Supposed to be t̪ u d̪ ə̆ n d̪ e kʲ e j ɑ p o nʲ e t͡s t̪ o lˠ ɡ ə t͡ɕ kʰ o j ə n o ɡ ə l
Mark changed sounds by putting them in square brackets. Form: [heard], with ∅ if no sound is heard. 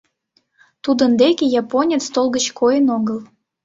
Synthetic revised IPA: t̪ u d̪ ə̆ n d̪ e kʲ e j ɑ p o nʲ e t͡s t̪ o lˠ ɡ ə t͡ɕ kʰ o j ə n o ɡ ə l

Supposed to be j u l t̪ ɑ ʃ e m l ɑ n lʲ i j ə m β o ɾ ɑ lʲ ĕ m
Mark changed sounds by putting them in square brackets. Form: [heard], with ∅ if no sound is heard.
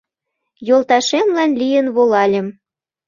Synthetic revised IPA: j [o] l t̪ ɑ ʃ e m l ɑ n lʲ i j ə [n] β o [l] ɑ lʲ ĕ m

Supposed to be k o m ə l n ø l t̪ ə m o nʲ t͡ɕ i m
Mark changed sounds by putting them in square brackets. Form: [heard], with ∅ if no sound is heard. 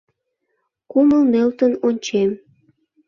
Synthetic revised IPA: k [u] m ə l [m] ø l t̪ ə [n] o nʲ t͡ɕ [e] m

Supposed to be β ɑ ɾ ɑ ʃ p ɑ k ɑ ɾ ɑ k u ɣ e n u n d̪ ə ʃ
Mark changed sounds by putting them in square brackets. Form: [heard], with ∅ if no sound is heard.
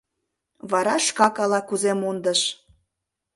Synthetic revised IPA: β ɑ ɾ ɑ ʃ [k] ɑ k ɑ [l] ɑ k u [z] e [m] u n d̪ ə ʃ

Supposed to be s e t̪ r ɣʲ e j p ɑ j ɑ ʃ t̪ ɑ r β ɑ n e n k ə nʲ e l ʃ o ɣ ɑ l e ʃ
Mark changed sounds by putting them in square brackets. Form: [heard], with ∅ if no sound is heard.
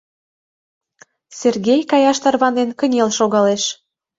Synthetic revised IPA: s e [∅] r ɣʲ e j [k] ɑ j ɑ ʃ t̪ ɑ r β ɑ n e n k ə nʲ e l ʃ o ɣ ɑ l e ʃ

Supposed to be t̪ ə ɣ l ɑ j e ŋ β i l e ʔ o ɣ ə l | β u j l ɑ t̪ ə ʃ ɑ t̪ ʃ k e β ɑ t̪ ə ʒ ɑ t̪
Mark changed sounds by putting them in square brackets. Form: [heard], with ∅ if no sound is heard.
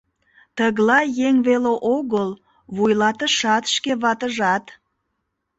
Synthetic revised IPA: t̪ ə ɣ l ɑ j e ŋ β [e] l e ʔ o ɣ ə l | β u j l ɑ t̪ ə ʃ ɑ t̪ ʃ k e β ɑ t̪ ə ʒ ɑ t̪

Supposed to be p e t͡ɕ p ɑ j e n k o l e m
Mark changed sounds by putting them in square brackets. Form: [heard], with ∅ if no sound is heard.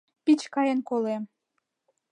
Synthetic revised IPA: p [i] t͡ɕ [k] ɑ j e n k o l e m

